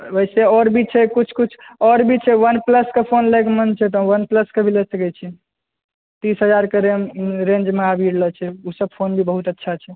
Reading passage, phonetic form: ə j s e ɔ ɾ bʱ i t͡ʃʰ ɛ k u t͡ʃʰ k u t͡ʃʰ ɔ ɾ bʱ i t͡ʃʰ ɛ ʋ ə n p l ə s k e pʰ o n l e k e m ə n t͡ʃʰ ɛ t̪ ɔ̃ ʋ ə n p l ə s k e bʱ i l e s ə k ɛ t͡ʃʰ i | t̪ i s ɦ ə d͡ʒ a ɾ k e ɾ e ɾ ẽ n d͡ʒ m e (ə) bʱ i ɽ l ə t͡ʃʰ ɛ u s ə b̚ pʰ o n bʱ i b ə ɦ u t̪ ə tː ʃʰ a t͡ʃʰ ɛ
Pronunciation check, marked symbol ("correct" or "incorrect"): incorrect